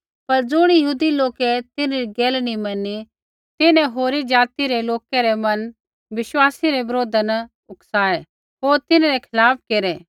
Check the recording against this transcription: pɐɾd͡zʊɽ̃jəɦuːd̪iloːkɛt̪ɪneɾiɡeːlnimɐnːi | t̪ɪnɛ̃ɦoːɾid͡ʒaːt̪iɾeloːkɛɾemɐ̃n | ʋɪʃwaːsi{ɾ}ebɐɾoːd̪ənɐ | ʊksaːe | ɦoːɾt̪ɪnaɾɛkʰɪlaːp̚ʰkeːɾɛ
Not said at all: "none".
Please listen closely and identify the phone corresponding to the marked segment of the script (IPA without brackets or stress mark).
ɾ